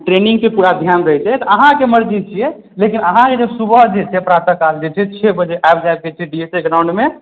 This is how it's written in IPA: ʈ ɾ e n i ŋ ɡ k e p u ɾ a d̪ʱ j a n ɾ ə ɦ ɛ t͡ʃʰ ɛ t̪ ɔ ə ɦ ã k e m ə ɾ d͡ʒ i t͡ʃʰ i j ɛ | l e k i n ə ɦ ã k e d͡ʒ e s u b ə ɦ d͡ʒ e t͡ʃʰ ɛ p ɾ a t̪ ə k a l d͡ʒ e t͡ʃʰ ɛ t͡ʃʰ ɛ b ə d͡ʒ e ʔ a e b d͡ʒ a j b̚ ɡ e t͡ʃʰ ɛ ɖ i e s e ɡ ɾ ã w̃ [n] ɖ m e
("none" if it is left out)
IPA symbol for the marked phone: ɳ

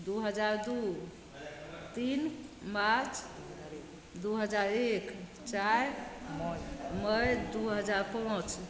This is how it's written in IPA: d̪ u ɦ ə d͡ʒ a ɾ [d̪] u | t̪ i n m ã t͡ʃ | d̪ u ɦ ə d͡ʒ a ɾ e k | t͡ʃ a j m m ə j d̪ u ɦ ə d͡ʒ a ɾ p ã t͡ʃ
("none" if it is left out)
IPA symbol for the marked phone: d̪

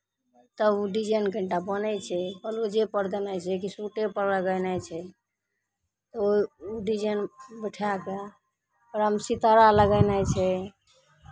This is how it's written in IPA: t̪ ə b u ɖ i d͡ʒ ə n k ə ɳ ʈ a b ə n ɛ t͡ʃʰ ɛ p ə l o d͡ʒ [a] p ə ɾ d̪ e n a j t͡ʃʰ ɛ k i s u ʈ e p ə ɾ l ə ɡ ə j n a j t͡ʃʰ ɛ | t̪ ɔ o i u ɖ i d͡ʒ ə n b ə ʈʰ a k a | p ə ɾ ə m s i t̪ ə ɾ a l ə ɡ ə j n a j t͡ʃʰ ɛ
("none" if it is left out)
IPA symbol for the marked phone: e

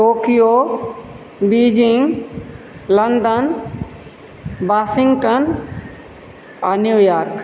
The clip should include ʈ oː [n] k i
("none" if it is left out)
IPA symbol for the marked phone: none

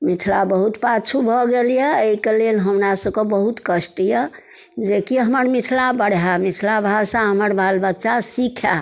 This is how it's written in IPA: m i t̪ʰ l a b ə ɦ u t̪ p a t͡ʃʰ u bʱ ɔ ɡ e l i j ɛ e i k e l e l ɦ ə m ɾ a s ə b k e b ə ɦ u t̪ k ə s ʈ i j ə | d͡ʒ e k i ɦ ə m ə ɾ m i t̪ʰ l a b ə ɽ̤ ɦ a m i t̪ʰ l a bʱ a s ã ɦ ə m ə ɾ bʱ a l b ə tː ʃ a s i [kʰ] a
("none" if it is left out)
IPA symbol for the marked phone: kʰ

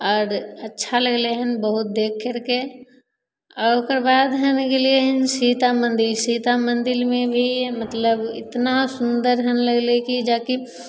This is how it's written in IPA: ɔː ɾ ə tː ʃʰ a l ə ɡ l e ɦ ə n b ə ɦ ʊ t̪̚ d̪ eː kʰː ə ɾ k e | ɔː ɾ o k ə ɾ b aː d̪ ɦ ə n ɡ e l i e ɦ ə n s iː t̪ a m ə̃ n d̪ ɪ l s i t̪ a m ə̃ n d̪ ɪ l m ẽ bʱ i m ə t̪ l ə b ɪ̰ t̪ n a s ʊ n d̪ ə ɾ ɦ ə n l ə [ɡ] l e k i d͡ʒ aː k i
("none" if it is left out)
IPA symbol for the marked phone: ɡ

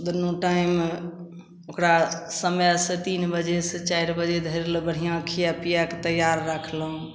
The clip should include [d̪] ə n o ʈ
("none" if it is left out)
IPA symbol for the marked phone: d̪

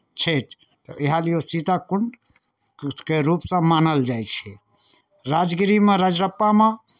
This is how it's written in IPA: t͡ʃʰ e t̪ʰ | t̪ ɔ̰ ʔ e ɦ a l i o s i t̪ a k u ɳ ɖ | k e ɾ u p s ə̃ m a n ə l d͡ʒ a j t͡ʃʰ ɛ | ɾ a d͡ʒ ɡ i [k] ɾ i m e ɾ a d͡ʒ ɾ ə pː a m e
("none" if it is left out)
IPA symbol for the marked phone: none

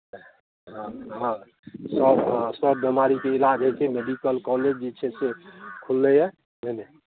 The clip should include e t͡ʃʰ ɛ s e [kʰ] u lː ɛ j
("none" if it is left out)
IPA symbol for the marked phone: kʰ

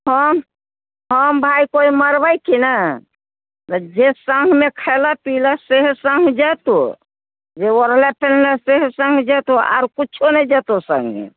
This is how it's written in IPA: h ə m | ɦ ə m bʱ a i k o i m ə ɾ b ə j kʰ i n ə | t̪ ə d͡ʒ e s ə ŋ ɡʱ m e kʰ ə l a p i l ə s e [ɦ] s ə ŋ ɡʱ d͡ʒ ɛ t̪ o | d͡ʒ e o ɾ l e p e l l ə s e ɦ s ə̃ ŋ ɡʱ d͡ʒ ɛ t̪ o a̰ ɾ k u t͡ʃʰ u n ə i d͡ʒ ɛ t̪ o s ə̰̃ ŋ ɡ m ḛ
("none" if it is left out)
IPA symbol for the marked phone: ɦ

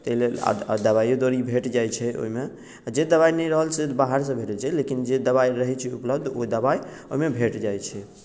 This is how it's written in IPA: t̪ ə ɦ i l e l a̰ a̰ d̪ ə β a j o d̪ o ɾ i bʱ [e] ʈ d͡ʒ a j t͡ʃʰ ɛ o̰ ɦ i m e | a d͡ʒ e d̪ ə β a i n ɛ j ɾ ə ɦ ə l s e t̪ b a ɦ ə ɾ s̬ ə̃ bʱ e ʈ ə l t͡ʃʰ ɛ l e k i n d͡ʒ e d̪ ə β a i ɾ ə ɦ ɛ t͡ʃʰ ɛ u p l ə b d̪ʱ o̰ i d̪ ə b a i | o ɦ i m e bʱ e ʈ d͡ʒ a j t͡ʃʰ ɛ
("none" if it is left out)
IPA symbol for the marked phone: e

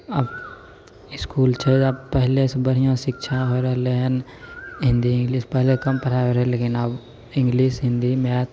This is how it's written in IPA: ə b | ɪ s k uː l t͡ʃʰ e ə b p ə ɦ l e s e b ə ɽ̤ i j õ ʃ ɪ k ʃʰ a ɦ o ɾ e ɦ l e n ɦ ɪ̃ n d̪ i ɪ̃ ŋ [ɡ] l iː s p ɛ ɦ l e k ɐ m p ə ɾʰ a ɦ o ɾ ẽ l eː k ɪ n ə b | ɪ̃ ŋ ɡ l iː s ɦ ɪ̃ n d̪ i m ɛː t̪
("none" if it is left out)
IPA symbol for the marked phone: ɡ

